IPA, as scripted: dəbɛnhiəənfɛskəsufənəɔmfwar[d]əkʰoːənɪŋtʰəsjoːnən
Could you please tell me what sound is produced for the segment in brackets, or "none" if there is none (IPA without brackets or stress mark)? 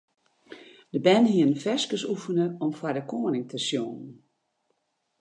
d